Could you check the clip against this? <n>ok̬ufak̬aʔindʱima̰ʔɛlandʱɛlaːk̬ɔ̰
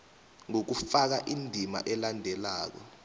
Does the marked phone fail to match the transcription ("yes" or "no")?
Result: yes